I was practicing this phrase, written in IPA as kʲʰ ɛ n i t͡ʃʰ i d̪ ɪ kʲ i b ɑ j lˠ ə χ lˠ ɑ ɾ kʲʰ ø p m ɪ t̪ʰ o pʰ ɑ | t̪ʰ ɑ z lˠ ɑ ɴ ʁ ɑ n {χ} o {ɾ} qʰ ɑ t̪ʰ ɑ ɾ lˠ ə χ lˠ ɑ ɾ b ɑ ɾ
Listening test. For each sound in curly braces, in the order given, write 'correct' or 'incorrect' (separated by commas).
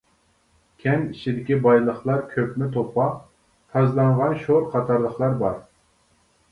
incorrect, correct